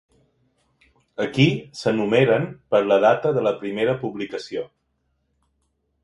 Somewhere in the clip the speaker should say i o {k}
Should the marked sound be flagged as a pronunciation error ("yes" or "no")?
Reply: yes